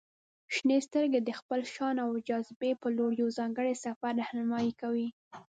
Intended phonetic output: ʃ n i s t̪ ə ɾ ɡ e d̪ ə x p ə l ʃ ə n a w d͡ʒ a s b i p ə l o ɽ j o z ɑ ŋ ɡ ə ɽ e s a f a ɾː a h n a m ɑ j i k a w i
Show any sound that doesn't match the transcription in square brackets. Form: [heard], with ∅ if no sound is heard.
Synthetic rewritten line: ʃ n [e] s t̪ ə ɾ ɡ e d̪ ə x p ə l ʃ [ɑ] n a w d͡ʒ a [z] b [e] p ə l o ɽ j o z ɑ ŋ ɡ ə ɽ e s a f a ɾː a h n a m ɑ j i k a w i